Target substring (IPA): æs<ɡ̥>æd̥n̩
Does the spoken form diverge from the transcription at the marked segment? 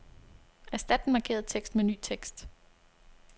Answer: yes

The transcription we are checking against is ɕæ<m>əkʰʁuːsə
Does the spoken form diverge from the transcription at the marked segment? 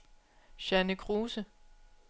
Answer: yes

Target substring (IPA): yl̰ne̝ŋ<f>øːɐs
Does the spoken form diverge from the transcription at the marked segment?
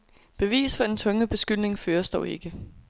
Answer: no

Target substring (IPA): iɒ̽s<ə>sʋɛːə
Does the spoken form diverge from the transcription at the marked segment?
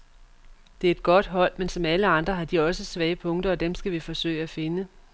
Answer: no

